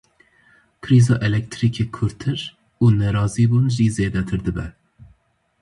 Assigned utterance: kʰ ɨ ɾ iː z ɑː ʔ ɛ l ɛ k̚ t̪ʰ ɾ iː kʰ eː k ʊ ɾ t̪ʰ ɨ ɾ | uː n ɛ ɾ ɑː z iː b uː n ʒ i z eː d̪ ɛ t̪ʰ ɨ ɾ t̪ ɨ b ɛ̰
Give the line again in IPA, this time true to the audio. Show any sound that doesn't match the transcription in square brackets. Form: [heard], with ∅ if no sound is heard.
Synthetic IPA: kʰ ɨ ɾ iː z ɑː ʔ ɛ l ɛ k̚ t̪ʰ ɾ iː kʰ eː [kʰ] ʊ ɾ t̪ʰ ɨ ɾ | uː n ɛ ɾ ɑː z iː b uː n ʒ i z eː d̪ ɛ t̪ʰ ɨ ɾ [d̪] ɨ b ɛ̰

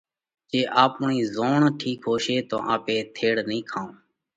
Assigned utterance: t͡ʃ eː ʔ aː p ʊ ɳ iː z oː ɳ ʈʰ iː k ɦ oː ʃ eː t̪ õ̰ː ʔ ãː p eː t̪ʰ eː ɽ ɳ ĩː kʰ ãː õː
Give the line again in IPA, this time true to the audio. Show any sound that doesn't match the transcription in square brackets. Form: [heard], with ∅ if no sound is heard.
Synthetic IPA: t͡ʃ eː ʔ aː p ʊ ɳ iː z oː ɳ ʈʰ iː k ɦ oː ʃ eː t̪ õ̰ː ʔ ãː p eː t̪ʰ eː ɽ [n] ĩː kʰ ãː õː

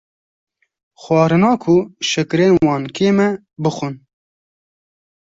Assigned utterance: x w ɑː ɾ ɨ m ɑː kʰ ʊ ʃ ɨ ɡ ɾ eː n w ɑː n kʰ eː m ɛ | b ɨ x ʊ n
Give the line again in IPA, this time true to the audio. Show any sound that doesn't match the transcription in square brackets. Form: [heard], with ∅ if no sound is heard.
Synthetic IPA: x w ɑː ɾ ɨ [n] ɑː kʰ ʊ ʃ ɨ [k] ɾ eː n w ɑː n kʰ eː m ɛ | b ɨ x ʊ n

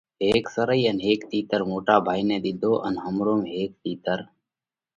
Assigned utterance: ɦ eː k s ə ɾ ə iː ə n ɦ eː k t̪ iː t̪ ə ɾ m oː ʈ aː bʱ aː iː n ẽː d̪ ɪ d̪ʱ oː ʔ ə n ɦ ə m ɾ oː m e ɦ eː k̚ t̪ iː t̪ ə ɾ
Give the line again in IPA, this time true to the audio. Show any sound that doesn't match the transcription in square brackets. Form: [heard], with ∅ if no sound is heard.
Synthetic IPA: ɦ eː k s ə ɾ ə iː ə n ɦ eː k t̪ iː t̪ ə ɾ m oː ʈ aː bʱ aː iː n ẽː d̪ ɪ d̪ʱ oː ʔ ə n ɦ ə m ɾ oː m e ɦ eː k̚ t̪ iː t̪ ə ɾ

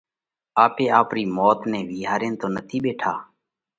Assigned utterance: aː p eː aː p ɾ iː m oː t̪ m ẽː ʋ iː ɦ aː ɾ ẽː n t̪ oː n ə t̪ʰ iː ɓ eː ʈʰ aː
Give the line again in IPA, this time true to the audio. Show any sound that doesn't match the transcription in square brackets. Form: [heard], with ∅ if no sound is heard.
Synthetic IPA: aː p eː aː p ɾ iː m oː t̪ [n] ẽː ʋ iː ɦ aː ɾ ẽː n t̪ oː n ə t̪ʰ iː ɓ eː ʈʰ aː

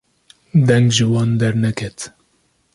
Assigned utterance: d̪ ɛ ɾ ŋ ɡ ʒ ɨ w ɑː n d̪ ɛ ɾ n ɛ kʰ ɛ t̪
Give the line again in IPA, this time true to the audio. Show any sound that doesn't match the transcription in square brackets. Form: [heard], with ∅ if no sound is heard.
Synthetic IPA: d̪ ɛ [∅] ŋ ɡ ʒ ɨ w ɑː n d̪ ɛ ɾ n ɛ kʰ ɛ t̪

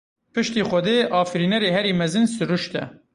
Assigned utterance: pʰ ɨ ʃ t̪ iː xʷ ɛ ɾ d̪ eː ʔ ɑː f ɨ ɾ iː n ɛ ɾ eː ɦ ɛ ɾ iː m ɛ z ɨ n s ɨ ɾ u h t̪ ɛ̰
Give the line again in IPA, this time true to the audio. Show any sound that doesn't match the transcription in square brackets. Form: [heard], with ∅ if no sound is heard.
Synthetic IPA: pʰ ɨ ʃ t̪ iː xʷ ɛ [∅] d̪ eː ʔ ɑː f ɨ ɾ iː n ɛ ɾ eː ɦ ɛ ɾ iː m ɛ z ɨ n s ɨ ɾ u [ʃ] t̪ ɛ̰

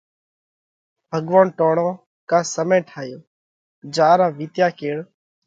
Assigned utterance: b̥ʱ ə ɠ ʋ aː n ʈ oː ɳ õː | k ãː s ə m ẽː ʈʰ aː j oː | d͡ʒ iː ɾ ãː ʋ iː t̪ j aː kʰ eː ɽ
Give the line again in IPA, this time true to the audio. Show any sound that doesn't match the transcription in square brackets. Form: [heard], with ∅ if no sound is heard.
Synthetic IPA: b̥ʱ ə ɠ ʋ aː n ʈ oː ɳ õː | k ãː s ə m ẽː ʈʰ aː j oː | d͡ʒ [aː] ɾ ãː ʋ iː t̪ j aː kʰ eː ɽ

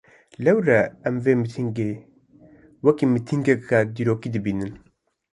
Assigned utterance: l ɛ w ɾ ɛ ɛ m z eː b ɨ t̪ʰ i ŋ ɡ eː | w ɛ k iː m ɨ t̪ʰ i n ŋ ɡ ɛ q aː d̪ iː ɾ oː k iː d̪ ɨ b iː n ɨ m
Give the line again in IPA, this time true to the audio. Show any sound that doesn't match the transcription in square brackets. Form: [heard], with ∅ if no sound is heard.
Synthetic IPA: l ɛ w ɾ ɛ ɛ m [v] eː [m] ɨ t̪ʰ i ŋ ɡ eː | w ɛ k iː m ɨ t̪ʰ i [∅] ŋ ɡ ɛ [k] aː d̪ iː ɾ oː k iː d̪ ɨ b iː n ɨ [n]

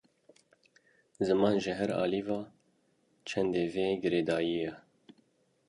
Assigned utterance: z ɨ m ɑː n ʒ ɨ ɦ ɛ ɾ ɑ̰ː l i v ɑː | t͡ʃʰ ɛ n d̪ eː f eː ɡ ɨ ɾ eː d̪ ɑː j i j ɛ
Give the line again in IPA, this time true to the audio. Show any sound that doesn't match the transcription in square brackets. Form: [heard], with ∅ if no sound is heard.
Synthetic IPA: z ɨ m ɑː n ʒ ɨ ɦ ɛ ɾ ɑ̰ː l i v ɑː | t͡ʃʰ ɛ n d̪ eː [v] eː ɡ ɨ ɾ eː d̪ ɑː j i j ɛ

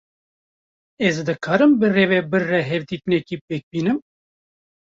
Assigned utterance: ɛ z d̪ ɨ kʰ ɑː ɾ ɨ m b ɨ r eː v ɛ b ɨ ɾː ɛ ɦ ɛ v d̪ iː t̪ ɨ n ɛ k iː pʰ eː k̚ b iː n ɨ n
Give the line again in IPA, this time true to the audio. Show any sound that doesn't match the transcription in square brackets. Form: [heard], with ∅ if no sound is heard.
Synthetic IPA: ɛ z d̪ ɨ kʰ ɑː ɾ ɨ m b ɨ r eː v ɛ b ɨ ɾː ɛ ɦ ɛ v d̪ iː t̪ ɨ n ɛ k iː [p] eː k̚ b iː n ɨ [m]

